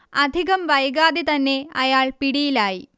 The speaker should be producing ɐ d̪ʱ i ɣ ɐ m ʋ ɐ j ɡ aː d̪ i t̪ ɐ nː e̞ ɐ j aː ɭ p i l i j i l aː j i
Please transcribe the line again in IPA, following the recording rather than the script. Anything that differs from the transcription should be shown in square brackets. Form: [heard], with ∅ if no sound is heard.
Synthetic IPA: ɐ d̪ʱ i ɣ ɐ m ʋ ɐ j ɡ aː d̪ i t̪ ɐ nː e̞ ɐ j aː ɭ p i [ɽ] i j i l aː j i